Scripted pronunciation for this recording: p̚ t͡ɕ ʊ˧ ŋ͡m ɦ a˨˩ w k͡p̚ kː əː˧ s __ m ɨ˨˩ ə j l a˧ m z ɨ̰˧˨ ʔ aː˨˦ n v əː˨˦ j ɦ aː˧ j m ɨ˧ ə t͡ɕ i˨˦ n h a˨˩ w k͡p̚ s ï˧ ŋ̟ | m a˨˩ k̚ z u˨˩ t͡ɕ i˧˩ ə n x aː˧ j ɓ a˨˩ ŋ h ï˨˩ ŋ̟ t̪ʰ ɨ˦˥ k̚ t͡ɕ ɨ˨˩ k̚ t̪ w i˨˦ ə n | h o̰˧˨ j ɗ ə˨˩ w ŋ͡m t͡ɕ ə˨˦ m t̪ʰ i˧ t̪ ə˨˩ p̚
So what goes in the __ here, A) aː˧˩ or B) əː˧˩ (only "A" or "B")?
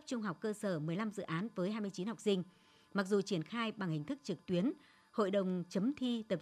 B